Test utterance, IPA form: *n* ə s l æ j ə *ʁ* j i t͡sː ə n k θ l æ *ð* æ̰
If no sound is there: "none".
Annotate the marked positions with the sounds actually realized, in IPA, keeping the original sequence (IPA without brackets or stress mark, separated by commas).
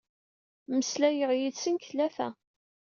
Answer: m, ʁ, θ